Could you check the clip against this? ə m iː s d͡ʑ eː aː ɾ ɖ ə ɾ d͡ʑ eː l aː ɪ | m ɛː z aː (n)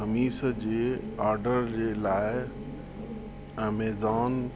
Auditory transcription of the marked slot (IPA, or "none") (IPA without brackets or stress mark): n